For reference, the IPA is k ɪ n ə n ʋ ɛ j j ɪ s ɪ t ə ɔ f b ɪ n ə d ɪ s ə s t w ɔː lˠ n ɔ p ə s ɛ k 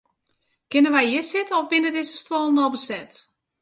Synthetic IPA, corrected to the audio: k ɪ n ə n ʋ ɛ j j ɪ s ɪ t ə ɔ f b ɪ n ə d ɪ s ə s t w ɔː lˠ n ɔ b ə s ɛ t